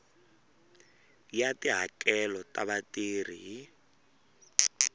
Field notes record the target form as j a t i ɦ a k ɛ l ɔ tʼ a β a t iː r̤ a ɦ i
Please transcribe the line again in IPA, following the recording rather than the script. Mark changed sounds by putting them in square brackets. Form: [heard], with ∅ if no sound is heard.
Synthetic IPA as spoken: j a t i ɦ a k ɛ l ɔ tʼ a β a t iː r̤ [i] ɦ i